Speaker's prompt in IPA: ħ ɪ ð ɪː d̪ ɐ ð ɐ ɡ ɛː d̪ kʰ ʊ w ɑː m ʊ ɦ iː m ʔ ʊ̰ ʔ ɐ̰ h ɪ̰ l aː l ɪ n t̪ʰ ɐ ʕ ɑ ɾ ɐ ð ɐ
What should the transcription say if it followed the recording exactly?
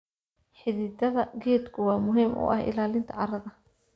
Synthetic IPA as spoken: ħ ɪ ð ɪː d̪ ɐ ð ɐ ɡ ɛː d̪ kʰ ʊ w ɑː m ʊ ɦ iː m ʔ ʊ̰ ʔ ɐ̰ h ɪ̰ l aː l ɪ n t̪ʰ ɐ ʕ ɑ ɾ ɐ ð ɐ